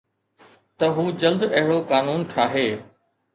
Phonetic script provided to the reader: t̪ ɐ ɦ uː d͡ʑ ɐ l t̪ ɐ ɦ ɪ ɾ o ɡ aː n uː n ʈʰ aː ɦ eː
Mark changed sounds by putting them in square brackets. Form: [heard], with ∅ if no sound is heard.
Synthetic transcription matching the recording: t̪ ɐ ɦ uː d͡ʑ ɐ l [d̪] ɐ ɦ ɪ [ɽ] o [k] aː n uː n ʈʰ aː ɦ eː